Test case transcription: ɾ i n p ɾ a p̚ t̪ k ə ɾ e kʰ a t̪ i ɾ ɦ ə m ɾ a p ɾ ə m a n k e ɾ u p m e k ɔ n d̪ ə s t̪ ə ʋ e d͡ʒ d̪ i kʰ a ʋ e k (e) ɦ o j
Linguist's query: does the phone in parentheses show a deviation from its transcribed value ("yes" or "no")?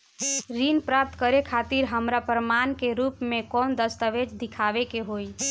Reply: no